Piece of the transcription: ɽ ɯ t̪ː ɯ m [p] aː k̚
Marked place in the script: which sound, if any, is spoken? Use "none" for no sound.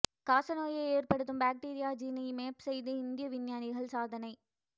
b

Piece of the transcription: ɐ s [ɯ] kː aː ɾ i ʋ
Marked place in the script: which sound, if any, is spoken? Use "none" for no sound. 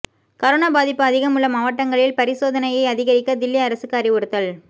ɯ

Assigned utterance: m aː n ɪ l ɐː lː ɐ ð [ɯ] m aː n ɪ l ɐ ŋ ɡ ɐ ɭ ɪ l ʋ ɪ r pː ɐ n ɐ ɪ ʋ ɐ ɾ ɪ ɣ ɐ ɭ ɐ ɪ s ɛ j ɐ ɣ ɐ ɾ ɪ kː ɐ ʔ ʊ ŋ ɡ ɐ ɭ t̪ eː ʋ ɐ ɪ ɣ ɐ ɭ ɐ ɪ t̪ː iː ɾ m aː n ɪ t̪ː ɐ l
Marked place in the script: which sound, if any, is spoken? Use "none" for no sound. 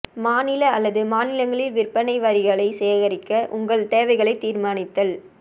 ɯ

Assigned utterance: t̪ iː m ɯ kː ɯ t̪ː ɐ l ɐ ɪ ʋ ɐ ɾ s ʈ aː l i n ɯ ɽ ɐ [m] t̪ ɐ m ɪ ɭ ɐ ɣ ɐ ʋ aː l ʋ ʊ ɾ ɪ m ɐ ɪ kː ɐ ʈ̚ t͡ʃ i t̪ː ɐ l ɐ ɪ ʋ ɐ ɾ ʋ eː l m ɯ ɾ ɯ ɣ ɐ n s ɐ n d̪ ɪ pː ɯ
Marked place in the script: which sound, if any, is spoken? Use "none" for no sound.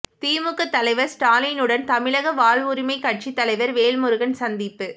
n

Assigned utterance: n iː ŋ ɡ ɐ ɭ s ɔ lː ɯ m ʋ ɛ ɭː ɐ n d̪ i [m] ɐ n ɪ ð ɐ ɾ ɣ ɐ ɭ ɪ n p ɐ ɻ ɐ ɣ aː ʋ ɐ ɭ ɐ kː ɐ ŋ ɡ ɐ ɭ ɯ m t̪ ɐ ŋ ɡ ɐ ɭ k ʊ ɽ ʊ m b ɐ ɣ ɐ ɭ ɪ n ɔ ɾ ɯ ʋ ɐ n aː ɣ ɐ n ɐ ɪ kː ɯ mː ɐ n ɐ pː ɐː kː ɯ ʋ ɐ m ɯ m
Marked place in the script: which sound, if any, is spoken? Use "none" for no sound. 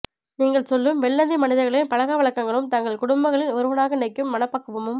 m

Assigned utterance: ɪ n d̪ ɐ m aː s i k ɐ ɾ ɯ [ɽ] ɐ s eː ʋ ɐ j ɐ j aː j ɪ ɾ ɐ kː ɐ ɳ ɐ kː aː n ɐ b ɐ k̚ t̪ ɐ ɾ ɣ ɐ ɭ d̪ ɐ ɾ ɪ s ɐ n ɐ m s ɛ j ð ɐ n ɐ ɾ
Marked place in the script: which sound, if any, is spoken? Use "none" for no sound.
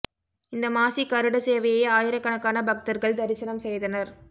ɽ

